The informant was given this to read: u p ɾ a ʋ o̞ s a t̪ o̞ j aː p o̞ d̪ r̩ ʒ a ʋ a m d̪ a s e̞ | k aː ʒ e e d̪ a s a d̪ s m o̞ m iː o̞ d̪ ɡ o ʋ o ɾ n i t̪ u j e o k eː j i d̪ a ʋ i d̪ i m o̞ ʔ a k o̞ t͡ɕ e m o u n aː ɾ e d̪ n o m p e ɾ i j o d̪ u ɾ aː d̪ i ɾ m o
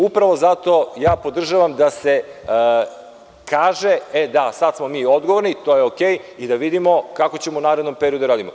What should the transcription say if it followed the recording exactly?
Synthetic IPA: u p ɾ a ʋ o̞ z a t̪ o̞ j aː p o̞ d̪ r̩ ʒ a ʋ a m d̪ a s e̞ | k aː ʒ e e d̪ a s a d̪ s m o̞ m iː o̞ d̪ ɡ o ʋ o ɾ n i t̪ o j e o k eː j i d̪ a ʋ i d̪ i m o̞ k a k o̞ t͡ɕ e m o u n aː ɾ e d̪ n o m p e ɾ i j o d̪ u ɾ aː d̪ i m o